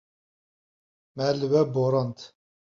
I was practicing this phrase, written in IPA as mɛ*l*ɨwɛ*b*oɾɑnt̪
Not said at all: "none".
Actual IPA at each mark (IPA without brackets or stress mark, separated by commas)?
l, b